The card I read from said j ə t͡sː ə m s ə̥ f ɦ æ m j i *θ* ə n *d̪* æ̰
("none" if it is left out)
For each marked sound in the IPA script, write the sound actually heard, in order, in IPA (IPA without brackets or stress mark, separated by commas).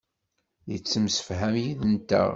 ð, t̪